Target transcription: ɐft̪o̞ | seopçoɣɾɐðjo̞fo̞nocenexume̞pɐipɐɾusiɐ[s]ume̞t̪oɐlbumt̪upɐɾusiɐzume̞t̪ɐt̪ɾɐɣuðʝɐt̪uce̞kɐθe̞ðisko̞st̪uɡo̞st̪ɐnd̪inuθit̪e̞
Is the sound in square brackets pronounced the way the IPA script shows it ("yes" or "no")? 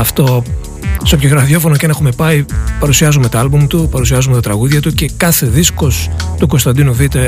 no